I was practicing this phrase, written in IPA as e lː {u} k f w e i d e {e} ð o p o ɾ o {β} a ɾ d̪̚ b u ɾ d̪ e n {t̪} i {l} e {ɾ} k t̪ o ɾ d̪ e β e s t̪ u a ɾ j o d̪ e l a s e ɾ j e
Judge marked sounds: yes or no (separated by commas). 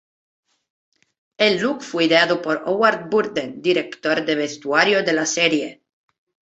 yes, no, no, no, no, no